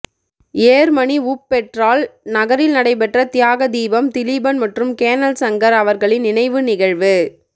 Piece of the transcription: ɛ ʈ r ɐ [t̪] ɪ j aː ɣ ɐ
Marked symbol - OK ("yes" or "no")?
yes